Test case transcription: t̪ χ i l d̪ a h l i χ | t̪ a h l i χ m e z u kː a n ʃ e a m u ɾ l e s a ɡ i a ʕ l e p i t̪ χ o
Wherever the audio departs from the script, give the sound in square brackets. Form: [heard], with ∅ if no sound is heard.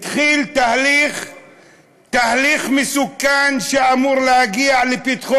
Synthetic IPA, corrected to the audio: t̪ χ i l [t̪] a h l i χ | t̪ a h l i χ m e [s] u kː a n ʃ e a m u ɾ l e [h] a ɡ i a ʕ l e p i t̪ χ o

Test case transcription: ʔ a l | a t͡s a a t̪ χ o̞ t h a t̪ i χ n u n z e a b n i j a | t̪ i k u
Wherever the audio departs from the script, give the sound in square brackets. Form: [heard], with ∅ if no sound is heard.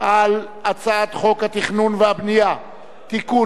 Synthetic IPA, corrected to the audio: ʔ a l | a t͡s a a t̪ χ o̞ [k] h a t̪ i χ n u n [v] e a b n i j a | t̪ i k u

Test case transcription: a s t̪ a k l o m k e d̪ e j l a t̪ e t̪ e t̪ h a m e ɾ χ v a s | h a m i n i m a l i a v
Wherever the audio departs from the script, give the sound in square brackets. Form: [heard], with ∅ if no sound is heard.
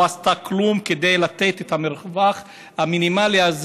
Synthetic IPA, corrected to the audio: a s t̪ a k l [u] m k e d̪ e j l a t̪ e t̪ e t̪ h a m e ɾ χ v a [χ] | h a m i n i m a l i a [z]

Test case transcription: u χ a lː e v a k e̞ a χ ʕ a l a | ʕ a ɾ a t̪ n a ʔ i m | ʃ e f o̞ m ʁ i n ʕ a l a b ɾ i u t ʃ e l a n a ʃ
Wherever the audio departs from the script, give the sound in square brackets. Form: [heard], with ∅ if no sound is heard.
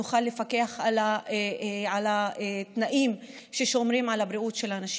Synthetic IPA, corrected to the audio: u χ a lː e [f] a k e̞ a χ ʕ a l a | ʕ a [l] a t̪ n a ʔ i m | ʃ e [ʃ] o̞ m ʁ i [m] ʕ a l a b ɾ i u t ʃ e l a n a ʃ

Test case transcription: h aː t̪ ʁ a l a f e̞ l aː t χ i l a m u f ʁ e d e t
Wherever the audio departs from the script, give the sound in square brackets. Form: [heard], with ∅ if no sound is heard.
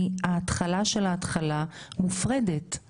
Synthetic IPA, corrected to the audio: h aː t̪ [χ] a l a [ʃ] e̞ l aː t χ [a] l a m u f ʁ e d e t

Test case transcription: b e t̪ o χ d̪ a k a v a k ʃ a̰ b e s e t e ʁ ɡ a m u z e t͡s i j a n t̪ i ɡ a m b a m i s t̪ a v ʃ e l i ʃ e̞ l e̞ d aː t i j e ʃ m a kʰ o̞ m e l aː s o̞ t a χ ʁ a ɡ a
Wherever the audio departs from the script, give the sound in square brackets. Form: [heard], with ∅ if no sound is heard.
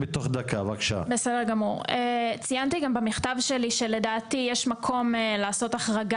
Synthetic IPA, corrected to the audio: b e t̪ o χ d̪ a k a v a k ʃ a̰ b e s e [d] e ʁ ɡ a m u [ʁ] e t͡s i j a n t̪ i ɡ a m b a m i [χ] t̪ a v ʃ e l i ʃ e̞ l e̞ d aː t i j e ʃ m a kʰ o̞ m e l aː s o̞ t a χ ʁ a ɡ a

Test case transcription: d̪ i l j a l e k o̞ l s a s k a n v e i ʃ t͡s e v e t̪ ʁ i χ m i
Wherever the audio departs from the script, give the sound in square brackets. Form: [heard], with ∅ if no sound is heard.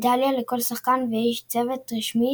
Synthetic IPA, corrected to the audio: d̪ [a] l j a l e k o̞ l s a [χ] k a n v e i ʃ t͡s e v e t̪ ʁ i [ʃ] m i

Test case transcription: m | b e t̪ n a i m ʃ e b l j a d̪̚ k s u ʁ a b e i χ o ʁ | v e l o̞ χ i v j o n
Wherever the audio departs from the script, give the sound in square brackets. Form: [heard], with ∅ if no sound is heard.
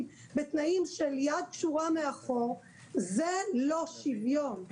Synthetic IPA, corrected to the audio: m | b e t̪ n a i m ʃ e [∅] l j a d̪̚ k [ʃ] u ʁ a [m] e [a] χ o ʁ | [z] e l o̞ [ʃ] i v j o n

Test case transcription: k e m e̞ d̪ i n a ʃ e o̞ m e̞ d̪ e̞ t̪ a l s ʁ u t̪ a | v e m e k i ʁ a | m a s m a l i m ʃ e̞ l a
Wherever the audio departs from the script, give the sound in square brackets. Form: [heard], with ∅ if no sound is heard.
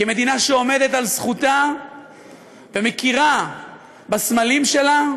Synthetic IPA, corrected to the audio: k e m e̞ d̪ i n a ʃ e o̞ m e̞ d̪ e̞ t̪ a l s [χ] u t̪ a | v e m e k i ʁ a | [b] a s m a l i m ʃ e̞ l a

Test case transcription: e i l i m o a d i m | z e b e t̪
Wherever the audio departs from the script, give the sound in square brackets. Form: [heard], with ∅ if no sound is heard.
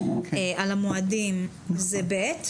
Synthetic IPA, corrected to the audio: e [a] l [a] m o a d i m | z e b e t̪

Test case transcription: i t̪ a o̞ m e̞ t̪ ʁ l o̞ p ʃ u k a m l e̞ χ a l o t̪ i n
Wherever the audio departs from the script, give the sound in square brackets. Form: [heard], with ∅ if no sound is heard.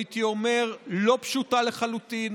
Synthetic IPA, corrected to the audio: i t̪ [i] o̞ m e̞ [∅] ʁ l o̞ p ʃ u [t] a [∅] l e̞ χ a l [u] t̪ i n

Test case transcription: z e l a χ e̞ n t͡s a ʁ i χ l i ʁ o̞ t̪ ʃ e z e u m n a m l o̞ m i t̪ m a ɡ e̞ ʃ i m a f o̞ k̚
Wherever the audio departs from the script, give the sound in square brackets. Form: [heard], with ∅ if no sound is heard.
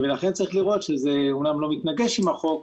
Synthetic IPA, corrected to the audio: [v] e l a χ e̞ n t͡s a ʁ i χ l i ʁ o̞ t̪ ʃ e z e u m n a m l o̞ m i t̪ [n] a ɡ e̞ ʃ i m a [χ] o̞ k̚

